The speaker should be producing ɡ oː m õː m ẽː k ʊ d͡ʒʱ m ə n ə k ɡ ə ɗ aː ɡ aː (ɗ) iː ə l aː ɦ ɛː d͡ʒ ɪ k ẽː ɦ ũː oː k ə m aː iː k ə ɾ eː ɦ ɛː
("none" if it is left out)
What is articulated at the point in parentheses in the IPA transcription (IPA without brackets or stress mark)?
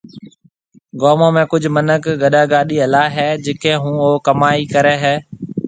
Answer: ɗ